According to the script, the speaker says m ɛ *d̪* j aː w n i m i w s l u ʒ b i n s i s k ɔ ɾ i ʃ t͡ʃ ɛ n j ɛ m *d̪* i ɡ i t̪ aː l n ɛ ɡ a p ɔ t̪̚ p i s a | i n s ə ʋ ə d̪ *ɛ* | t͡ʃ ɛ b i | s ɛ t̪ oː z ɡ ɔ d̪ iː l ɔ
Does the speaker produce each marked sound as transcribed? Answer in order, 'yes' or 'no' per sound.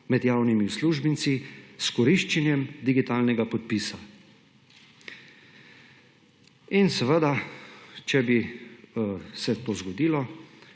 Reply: yes, yes, no

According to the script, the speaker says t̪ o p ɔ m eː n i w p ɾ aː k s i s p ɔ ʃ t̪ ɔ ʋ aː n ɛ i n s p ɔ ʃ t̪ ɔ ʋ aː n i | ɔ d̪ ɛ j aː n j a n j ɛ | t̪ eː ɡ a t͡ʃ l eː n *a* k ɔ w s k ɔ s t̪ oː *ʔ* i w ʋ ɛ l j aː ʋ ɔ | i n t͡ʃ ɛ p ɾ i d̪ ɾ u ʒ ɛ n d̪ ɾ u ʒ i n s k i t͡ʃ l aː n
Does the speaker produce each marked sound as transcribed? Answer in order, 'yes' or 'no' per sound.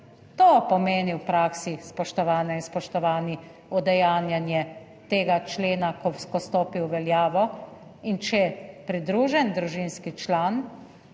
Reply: yes, no

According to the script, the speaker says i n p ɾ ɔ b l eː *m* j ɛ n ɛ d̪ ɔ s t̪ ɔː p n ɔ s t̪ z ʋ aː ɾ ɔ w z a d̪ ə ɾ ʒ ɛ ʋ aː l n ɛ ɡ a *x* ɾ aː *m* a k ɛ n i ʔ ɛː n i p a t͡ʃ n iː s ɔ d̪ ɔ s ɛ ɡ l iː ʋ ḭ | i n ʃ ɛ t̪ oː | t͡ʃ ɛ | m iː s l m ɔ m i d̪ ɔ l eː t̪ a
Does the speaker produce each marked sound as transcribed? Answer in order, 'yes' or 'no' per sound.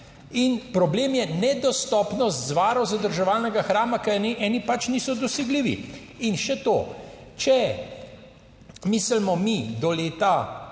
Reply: yes, yes, yes

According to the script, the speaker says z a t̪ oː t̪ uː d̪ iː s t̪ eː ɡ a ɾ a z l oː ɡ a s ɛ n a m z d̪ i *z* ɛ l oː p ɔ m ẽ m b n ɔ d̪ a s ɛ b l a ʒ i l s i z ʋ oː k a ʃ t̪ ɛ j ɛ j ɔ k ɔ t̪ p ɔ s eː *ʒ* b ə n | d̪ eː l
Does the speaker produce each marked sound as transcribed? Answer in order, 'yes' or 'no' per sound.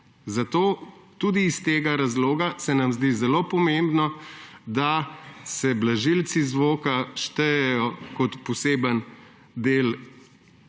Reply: yes, no

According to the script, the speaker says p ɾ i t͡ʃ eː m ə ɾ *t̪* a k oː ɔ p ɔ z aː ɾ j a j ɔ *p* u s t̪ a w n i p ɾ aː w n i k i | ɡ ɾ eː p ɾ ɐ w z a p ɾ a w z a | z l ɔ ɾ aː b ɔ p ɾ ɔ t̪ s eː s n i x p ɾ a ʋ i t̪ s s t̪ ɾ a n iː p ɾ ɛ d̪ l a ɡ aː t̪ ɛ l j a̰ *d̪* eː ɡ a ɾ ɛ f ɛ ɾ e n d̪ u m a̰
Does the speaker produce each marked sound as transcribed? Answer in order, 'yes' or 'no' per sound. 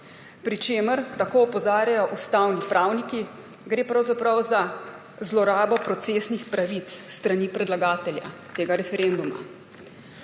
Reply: yes, no, no

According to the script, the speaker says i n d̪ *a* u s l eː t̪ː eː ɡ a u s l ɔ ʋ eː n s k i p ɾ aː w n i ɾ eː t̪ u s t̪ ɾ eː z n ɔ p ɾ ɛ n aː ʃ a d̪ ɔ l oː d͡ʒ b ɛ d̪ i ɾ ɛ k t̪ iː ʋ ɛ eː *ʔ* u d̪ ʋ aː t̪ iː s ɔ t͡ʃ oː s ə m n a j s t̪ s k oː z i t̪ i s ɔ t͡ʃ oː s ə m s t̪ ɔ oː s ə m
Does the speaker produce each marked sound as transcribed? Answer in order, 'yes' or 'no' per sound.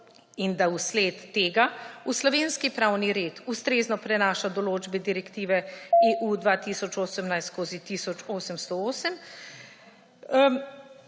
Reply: yes, yes

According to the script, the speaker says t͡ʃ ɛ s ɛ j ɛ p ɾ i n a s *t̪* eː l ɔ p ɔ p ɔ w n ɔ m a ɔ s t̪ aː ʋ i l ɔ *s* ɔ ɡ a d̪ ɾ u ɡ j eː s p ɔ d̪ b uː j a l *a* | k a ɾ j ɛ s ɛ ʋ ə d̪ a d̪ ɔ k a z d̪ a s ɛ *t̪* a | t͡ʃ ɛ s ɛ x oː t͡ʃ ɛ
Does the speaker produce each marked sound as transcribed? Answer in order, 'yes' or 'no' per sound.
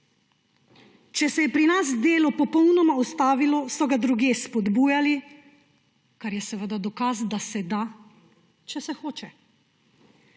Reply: no, yes, no, no

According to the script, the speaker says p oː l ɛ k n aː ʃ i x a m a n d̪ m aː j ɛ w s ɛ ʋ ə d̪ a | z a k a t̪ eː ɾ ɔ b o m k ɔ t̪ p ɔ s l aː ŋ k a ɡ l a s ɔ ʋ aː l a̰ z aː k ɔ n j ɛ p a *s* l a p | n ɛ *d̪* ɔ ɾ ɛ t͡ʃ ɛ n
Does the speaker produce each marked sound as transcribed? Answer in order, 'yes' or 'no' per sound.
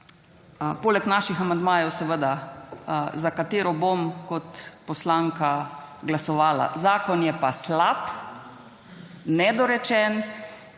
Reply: yes, yes

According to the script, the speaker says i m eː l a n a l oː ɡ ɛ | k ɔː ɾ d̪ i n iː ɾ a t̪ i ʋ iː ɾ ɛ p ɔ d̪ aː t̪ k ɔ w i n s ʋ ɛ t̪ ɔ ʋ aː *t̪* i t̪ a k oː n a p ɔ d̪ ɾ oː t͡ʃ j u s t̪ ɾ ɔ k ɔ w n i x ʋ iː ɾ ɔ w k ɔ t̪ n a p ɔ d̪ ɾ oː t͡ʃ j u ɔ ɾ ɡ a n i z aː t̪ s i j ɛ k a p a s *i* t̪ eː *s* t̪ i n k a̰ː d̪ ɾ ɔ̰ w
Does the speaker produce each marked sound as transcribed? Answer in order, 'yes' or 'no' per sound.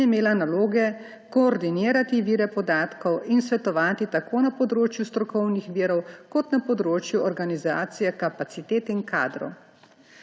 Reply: yes, yes, no

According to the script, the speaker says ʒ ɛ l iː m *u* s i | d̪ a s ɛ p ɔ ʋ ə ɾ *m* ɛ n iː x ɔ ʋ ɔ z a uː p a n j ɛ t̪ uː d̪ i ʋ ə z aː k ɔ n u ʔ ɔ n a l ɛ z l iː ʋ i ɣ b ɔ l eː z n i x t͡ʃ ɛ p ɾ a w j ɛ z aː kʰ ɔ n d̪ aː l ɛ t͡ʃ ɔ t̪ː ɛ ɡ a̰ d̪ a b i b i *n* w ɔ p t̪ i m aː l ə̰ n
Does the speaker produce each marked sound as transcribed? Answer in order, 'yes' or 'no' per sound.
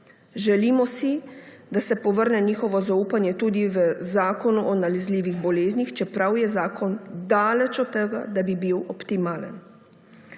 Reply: no, no, no

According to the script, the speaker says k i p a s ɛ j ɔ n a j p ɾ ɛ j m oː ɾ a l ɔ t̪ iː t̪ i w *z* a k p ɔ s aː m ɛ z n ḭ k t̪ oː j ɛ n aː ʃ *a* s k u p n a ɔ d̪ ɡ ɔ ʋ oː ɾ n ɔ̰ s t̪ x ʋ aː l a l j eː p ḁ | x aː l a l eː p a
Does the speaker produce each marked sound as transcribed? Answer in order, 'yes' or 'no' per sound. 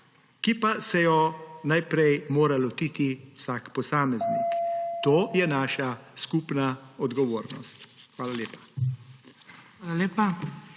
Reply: no, yes

